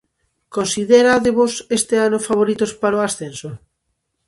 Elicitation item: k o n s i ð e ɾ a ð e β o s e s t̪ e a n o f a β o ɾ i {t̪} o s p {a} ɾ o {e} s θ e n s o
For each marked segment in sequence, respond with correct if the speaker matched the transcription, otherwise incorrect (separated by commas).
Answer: correct, correct, incorrect